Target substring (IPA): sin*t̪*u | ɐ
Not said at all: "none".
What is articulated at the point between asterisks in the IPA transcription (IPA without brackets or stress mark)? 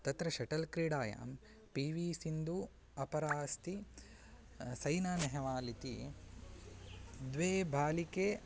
d̪